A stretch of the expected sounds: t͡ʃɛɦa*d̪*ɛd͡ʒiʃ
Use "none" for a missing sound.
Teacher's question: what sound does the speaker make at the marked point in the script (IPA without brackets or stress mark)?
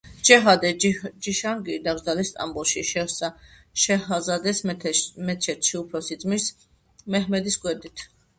d̪